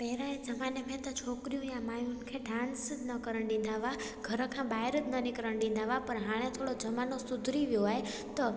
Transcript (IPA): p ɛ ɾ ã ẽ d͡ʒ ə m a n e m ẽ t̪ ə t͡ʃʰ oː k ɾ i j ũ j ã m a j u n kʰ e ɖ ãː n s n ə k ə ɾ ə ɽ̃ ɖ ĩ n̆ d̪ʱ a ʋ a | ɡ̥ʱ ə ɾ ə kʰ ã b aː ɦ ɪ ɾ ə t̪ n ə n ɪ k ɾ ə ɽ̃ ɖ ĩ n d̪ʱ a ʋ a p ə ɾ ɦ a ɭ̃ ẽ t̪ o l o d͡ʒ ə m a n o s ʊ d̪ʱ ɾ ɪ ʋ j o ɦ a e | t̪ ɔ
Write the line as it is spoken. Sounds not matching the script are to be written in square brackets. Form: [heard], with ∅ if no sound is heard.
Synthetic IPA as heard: p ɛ ɾ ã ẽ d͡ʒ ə m a n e m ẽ t̪ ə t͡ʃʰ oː k ɾ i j ũ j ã m a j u n kʰ e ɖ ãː n s n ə k ə ɾ ə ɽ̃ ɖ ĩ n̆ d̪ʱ a ʋ a | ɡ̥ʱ ə ɾ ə kʰ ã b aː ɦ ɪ ɾ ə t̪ n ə n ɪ k ɾ ə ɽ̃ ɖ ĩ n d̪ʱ a ʋ a p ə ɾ ɦ a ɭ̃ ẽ [t̪ʰ] o [ɽ] o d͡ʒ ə m a n o s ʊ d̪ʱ ɾ [i] ʋ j o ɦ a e | t̪ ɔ